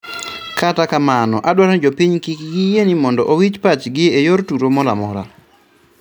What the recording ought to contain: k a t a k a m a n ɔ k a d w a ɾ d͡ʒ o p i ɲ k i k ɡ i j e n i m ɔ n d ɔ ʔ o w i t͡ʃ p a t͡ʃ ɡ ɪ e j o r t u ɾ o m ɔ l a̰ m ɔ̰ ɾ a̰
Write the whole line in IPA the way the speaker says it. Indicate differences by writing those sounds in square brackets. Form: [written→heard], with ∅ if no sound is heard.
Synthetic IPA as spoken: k a t a k a m a n ɔ [k→ʔ] a d w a ɾ d͡ʒ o p i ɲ k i k ɡ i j e n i m ɔ n d ɔ ʔ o w i t͡ʃ p a t͡ʃ ɡ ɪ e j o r t u ɾ o m ɔ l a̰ m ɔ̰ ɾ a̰

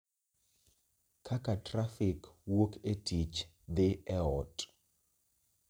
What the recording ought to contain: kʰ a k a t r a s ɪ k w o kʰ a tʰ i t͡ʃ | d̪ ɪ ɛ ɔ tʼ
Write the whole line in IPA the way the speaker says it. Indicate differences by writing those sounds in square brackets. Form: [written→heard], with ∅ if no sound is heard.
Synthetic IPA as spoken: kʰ a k a t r a [s→f] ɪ k w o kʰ [a→e] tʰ i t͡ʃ | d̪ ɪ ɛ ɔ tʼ

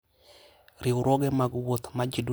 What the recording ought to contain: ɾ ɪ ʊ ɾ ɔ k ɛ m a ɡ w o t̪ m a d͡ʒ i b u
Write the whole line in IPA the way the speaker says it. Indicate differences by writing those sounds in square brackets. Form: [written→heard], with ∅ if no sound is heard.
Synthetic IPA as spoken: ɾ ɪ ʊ ɾ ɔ [k→ɡ] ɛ m a ɡ w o t̪ m a d͡ʒ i [b→d] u

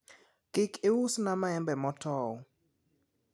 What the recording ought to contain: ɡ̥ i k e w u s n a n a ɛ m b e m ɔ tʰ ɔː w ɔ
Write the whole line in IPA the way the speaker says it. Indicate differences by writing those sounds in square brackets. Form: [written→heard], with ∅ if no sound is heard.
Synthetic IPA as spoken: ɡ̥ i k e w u s n a [n→m] a ɛ m b [e→ɛ] m ɔ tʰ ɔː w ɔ

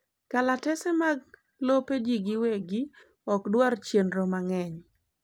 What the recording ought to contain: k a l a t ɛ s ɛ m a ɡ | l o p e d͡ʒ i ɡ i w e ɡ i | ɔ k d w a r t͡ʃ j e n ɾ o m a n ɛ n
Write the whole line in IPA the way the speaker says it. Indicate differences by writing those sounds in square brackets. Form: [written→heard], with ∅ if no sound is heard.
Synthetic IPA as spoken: k a l a t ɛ s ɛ m a ɡ | l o p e d͡ʒ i ɡ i w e ɡ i | ɔ k d w a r t͡ʃ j e n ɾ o m a [n→ŋ] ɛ [n→ɲ]

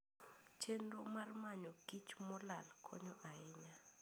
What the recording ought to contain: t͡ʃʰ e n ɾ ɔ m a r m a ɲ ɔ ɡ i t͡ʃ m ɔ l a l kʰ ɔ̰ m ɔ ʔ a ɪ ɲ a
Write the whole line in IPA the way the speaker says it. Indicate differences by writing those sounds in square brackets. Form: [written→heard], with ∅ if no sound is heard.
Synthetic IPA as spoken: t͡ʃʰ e n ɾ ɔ m a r m a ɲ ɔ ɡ i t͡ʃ m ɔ l a l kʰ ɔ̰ [m→ɲ] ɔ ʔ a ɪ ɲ a

